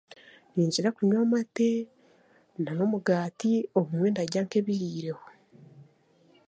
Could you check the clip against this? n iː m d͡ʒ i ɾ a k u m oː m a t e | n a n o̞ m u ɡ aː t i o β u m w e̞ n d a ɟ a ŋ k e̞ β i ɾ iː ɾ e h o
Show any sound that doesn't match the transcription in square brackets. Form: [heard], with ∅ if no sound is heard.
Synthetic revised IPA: n iː [ɲ] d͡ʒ i ɾ a k u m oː m a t e | n a n o̞ m u ɡ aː t i o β u m w e̞ n d a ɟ a ŋ k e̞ β i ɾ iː ɾ e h o